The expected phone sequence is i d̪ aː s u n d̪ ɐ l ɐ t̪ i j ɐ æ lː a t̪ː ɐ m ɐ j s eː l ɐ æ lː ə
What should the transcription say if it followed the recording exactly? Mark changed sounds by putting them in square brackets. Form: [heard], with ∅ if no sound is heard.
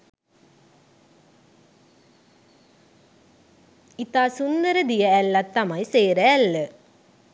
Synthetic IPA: i [t̪] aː s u n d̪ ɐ [ɾ] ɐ [d̪] i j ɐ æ lː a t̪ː ɐ m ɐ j s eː [ɾ] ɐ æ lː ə